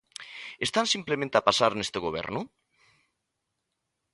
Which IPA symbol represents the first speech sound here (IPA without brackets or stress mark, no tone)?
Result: e